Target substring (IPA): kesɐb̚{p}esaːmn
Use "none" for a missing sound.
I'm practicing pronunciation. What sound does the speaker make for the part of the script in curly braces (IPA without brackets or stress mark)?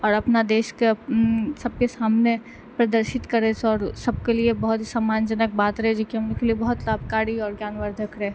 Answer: k